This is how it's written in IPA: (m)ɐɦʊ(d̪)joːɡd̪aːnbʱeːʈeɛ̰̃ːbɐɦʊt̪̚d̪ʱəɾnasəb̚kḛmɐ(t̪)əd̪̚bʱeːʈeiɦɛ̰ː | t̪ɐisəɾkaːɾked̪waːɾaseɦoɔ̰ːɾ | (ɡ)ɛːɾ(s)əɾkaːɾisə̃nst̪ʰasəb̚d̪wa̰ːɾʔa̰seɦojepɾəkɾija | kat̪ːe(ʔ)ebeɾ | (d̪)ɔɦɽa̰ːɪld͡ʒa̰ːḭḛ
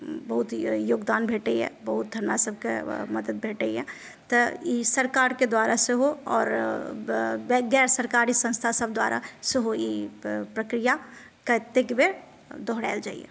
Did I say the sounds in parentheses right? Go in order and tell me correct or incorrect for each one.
incorrect: b, incorrect: t̪, incorrect: d̪, correct, correct, incorrect: k, correct

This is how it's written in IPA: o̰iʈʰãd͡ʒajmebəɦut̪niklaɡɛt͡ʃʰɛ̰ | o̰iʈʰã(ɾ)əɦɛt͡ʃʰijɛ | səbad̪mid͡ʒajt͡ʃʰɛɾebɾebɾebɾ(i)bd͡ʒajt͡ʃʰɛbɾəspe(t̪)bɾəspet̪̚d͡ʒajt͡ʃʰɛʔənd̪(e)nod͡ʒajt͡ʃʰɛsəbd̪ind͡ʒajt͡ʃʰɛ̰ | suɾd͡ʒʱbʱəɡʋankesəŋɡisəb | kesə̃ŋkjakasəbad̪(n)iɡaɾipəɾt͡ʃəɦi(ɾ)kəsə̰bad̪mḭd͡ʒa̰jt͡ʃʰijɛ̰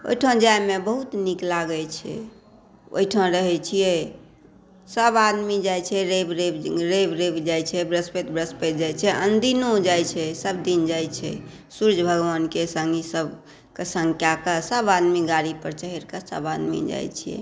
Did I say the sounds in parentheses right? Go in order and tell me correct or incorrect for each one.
correct, incorrect: e, correct, incorrect: i, incorrect: m, correct

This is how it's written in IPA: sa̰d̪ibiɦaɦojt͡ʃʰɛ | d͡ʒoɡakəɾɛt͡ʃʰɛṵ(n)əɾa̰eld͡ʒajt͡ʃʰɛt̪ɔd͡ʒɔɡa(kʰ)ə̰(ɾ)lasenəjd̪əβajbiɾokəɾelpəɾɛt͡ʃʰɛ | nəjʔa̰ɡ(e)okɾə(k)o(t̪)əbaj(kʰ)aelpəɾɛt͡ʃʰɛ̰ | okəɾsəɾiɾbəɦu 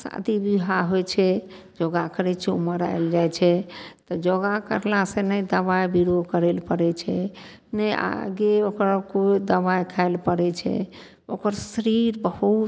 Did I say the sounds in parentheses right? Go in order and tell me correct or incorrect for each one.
incorrect: m, incorrect: k, correct, correct, correct, incorrect: d̪, correct

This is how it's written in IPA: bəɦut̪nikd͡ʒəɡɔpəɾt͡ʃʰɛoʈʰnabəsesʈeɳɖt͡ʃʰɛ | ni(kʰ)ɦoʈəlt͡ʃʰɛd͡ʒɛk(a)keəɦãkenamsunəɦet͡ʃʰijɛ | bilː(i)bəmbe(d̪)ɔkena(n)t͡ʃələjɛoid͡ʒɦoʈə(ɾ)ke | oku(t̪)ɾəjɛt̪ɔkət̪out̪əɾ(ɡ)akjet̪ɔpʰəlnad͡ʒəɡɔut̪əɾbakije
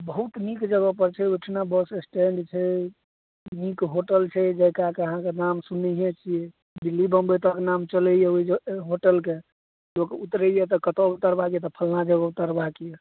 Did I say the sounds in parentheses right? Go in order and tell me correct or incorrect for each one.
incorrect: k, correct, correct, incorrect: t̪, incorrect: m, incorrect: l, correct, incorrect: b

